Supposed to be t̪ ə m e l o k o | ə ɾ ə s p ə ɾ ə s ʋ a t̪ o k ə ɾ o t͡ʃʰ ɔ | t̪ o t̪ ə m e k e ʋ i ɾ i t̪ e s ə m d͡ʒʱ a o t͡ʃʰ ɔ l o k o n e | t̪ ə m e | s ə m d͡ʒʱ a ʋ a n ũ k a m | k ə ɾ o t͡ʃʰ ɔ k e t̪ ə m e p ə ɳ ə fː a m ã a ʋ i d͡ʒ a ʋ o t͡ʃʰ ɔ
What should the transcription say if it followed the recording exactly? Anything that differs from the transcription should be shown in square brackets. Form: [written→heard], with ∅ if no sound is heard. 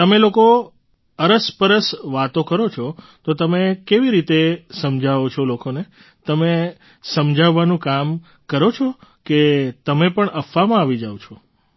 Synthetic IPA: t̪ ə m e l o k o | ə ɾ ə s p ə ɾ ə s ʋ a t̪ o k ə ɾ o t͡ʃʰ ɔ | t̪ o t̪ ə m e k e ʋ i ɾ i t̪ e s ə m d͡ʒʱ a o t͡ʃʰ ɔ l o k o n e | t̪ ə m e | s ə m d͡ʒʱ a [ʋ→ʋː] a n ũ k a m | k ə ɾ o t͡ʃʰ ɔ k e t̪ ə m e p ə ɳ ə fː a m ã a ʋ i d͡ʒ a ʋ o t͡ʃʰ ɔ